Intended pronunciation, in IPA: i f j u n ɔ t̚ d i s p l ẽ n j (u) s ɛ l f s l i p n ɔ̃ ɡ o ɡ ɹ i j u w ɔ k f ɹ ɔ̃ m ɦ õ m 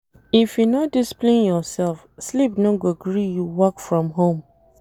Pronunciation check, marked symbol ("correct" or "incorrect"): incorrect